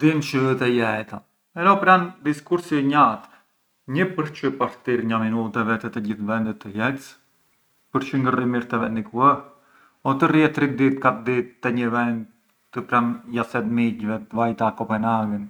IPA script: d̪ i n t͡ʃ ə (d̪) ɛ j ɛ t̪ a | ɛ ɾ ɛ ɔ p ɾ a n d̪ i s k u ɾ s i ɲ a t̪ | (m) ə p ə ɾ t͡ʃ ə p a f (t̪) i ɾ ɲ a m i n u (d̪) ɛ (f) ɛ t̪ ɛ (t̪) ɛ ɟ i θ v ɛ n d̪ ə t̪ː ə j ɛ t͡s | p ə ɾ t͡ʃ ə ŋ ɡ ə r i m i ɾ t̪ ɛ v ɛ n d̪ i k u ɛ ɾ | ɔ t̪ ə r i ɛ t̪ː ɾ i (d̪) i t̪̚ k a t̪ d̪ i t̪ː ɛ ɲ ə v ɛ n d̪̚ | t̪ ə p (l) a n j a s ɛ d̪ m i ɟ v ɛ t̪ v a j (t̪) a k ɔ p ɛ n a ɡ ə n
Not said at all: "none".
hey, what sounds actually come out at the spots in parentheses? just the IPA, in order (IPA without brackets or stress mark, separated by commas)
t̪, ɲ, t̪, t̪, v, t̪, d̪, ɾ, t̪